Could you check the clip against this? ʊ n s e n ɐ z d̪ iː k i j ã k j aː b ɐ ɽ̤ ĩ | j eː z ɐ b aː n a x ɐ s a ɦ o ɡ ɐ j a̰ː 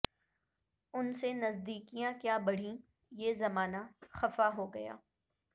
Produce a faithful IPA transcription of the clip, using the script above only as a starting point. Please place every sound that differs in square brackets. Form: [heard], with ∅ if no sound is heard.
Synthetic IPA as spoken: ʊ n s e n ɐ z d̪ iː k i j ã k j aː b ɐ ɽ̤ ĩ | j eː z ɐ [m] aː n a x ɐ [f] a ɦ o ɡ ɐ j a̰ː